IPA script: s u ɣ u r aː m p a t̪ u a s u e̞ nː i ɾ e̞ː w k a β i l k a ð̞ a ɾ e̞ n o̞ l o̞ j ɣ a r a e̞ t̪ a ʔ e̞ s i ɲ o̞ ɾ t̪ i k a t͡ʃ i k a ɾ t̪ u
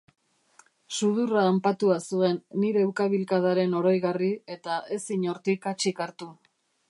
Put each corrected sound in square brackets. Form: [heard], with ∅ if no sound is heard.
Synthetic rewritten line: s u [ð] u r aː m p a t̪ u a s u e̞ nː i ɾ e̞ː w k a β i l k a ð̞ a ɾ e̞ n o̞ [ɾ] o̞ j ɣ a r [i] e̞ t̪ a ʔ e̞ s i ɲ o̞ ɾ t̪ i k a t͡ʃ i k a ɾ t̪ u